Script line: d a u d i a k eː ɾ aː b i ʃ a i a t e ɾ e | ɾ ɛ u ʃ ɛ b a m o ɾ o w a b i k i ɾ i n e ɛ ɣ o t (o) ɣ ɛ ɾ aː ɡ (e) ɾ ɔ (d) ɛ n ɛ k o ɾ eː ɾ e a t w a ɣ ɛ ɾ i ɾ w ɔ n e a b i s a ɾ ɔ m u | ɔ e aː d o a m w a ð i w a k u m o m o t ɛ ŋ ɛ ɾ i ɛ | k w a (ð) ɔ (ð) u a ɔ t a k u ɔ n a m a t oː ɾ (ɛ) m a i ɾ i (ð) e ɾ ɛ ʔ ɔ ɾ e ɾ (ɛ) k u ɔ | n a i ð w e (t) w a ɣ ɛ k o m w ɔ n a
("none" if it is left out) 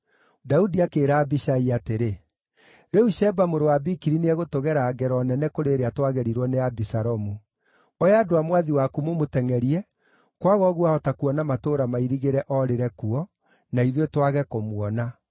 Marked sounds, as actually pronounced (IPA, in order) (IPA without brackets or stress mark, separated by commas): o, ɛ, n, ɣ, ɣ, a, ɣ, ɛ, t